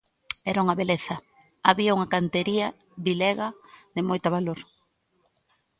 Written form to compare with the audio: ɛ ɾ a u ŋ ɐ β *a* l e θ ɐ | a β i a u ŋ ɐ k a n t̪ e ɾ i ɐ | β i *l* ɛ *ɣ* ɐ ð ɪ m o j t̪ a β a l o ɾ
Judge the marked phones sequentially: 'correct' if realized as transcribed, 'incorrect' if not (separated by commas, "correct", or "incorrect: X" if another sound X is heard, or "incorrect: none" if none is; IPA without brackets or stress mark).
incorrect: e, correct, correct